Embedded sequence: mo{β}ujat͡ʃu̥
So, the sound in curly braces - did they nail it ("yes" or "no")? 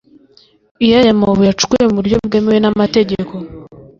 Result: yes